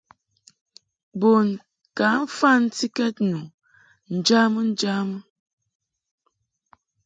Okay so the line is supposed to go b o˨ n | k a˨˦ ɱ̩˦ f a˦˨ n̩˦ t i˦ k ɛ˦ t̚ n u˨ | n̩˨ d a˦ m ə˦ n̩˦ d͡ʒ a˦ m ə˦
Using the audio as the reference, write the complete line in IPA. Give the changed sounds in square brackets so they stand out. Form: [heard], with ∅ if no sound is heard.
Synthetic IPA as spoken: b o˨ n | k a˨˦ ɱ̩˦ f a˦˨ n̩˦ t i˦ k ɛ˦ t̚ n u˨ | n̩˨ [d͡ʒ] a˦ m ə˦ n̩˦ d͡ʒ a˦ m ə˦